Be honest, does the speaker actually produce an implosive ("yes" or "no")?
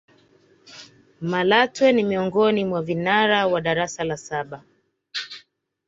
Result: yes